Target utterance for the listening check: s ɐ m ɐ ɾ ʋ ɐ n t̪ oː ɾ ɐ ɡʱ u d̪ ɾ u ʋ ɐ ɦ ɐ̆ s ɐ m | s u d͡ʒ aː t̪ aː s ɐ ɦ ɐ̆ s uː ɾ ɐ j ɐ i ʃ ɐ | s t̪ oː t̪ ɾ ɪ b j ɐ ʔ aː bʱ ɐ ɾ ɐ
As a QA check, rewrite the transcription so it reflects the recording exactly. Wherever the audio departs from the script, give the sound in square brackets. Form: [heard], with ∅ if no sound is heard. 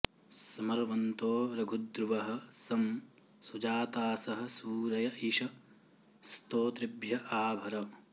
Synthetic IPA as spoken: s ɐ m ɐ ɾ ʋ ɐ n t̪ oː ɾ ɐ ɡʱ u d̪ ɾ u ʋ ɐ ɦ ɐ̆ s ɐ m | s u d͡ʒ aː t̪ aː s ɐ ɦ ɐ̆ s uː ɾ ɐ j ɐ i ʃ ɐ | s t̪ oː t̪ ɾ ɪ b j ɐ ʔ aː bʱ ɐ ɾ ɐ